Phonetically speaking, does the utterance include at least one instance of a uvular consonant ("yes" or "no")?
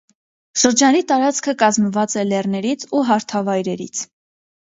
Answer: no